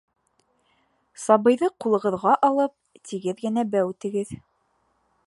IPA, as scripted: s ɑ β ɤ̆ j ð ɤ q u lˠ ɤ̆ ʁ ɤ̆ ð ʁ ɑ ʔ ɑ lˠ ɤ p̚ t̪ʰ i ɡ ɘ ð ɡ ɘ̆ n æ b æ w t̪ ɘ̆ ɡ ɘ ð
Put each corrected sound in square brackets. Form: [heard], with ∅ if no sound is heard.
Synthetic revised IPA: s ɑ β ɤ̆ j ð ɤ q u lˠ ɤ̆ ʁ ɤ̆ ð ʁ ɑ ʔ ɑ lˠ ɤ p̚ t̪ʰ i ɡ ɘ ð ɡ ɘ̆ n æ b æ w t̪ ɘ̆ ɡ ɘ ð